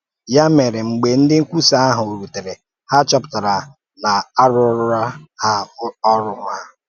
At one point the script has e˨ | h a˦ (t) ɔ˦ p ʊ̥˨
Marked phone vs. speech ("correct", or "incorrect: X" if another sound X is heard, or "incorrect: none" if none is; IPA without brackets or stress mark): incorrect: t͡ʃ